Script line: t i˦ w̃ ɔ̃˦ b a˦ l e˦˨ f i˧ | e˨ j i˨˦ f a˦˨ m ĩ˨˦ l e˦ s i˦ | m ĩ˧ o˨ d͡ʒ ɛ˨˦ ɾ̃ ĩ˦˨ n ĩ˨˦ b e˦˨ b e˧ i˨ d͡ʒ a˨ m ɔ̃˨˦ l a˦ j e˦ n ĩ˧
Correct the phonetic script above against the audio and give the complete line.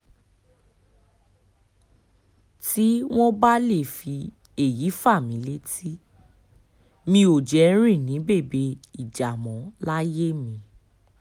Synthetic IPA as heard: t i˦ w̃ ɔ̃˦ b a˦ l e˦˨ f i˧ | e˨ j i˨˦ f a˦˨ m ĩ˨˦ l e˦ t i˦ | m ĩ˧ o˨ d͡ʒ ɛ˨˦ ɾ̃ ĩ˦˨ n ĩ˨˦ b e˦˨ b e˧ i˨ d͡ʒ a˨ m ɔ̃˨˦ l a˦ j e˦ m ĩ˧